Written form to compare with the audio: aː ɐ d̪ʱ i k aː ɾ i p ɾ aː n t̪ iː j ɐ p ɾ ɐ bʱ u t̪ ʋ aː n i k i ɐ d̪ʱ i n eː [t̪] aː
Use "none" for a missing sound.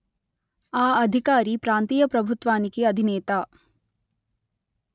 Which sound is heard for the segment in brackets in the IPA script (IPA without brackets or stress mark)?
t̪